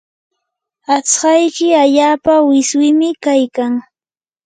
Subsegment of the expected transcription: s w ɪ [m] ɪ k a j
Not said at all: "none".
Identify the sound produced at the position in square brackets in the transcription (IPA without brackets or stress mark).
m